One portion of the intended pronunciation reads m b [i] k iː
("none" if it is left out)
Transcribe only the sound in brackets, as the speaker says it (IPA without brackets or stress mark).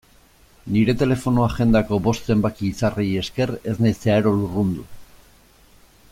a